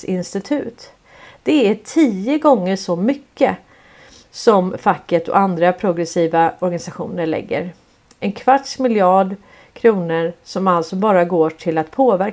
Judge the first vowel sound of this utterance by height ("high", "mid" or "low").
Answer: high